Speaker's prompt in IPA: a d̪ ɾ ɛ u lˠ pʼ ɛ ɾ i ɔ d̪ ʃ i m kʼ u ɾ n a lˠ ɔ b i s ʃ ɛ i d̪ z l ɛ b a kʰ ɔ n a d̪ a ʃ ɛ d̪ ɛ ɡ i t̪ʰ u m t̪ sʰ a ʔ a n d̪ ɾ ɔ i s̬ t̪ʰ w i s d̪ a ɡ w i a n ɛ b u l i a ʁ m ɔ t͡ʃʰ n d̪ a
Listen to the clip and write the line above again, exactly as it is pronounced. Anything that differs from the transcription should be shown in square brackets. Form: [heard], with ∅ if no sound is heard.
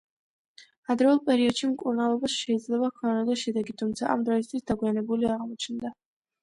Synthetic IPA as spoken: a d̪ ɾ ɛ u lˠ pʼ ɛ ɾ i ɔ d̪ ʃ i m kʼ u ɾ n a lˠ ɔ b [a] s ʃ ɛ i d̪ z l ɛ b a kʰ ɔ n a d̪ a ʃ ɛ d̪ ɛ ɡ i t̪ʰ u m t̪ sʰ a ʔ a [m] d̪ ɾ ɔ i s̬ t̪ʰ w i s d̪ a ɡ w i a n ɛ b u l i a ʁ m ɔ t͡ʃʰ n d̪ a